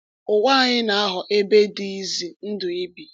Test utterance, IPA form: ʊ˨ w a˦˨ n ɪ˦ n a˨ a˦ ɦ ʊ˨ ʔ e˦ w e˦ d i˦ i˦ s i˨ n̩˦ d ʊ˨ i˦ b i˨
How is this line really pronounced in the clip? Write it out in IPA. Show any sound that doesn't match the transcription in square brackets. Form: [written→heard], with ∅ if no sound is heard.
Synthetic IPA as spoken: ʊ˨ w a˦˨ [n→ɲ] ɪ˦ n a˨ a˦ ɦ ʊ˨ ʔ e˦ [w→b] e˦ d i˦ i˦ [s→z] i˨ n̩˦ d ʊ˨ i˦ b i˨